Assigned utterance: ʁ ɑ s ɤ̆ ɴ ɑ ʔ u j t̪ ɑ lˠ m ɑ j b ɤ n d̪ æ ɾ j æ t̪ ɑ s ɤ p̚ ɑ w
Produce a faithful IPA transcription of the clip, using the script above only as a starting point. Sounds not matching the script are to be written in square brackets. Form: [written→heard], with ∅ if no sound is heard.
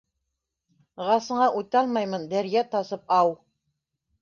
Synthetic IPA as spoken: ʁ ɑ s ɤ̆ ɴ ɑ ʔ u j t̪ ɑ lˠ m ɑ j [b→m] ɤ n d̪ æ ɾ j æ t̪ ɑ s ɤ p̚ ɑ w